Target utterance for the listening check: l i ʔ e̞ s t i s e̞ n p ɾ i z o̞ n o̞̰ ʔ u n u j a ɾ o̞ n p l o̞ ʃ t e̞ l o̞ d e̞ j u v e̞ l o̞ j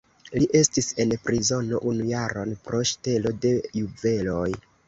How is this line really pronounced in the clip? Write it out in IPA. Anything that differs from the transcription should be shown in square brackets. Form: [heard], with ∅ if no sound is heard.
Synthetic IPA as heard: l i ʔ e̞ s t i s e̞ n p ɾ i z o̞ n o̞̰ ʔ u n u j a ɾ o̞ n p [ɾ] o̞ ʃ t e̞ l o̞ d e̞ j u v e̞ l o̞ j

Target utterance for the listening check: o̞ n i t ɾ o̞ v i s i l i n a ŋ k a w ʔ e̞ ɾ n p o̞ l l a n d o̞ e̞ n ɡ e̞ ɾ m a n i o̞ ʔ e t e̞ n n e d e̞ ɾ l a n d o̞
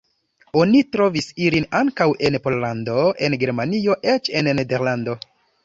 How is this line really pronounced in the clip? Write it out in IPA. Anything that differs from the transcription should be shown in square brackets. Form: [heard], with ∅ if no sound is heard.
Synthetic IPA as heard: o̞ n i t ɾ o̞ v i s i l i n a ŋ k a w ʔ e̞ [∅] n p o̞ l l a n d o̞ e̞ n ɡ e̞ ɾ m a n i o̞ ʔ e [t͡ʃ] e̞ n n e d e̞ ɾ l a n d o̞

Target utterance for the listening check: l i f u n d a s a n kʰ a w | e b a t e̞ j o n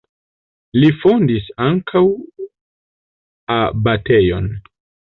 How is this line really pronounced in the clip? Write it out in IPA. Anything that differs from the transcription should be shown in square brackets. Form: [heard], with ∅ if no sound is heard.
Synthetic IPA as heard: l i f [o] n d [i] s a [ŋ] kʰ a w | [a] b a t e̞ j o n

